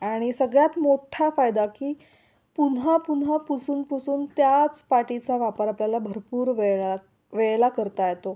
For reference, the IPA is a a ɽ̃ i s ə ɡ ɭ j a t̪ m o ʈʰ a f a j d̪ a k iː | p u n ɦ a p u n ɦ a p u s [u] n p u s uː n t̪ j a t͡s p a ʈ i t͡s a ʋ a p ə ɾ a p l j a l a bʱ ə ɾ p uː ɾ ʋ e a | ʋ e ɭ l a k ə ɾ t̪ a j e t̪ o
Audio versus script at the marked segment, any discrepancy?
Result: yes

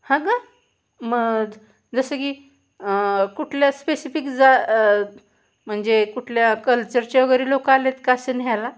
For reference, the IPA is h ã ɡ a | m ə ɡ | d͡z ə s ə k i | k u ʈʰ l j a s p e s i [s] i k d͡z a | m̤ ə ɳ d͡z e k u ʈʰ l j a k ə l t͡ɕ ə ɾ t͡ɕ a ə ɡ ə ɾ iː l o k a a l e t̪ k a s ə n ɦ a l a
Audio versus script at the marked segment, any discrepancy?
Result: yes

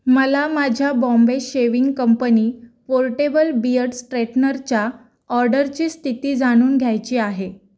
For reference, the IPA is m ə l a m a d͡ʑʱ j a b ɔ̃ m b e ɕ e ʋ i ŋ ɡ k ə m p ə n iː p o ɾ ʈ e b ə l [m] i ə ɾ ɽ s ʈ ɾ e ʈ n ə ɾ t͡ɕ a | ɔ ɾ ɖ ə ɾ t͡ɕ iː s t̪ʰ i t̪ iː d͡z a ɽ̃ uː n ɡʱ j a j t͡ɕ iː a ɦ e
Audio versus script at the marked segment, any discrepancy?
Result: yes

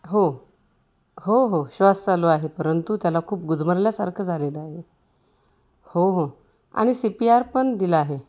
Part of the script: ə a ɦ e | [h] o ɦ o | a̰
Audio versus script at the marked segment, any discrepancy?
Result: no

